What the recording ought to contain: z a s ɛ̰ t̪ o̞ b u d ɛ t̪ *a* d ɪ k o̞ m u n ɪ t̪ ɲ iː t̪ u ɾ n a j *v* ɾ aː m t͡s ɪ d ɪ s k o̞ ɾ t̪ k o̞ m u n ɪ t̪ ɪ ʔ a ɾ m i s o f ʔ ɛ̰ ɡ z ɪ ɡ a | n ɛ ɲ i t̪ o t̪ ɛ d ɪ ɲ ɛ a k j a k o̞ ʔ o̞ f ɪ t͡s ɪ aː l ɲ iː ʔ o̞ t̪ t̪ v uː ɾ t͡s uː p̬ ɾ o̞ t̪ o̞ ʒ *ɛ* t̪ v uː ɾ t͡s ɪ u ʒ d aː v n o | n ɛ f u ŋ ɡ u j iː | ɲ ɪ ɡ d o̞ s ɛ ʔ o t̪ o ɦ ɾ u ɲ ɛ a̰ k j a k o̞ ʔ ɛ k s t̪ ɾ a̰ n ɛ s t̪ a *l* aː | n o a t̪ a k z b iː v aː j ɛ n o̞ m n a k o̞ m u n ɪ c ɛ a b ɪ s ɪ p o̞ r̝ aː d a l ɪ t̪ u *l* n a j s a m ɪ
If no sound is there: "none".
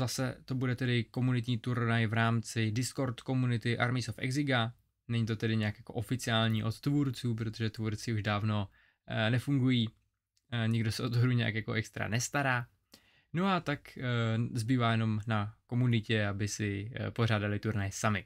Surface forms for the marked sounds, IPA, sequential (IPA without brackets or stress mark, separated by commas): ɛ, v, ɛ, ɾ, ɾ